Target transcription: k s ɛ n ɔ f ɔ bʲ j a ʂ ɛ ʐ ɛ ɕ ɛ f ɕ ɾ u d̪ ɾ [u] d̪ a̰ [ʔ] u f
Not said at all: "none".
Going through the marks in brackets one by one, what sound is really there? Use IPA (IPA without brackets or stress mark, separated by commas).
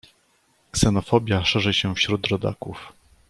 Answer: ɔ, k